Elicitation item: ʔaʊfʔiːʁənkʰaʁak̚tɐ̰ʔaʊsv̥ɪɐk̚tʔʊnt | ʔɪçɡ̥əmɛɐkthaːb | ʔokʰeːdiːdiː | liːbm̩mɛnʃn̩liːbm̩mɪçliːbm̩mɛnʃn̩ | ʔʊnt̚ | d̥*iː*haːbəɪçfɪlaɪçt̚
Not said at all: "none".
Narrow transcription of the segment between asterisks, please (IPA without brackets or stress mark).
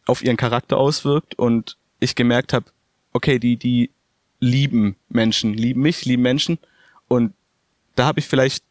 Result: aː